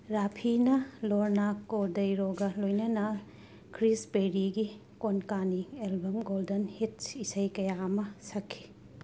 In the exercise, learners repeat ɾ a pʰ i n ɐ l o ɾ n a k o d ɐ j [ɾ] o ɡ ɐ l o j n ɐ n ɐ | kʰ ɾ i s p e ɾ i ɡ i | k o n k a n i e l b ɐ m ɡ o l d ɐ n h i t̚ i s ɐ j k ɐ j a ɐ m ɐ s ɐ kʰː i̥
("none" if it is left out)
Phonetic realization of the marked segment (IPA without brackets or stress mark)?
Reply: ɾ